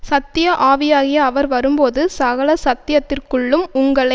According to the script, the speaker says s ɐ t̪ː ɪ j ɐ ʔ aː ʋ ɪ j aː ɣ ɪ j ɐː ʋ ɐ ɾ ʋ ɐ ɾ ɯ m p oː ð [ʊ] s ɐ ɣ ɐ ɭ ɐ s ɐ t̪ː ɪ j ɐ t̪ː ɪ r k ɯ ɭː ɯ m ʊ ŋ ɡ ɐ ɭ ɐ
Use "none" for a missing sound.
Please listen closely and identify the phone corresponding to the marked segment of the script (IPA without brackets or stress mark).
ɯ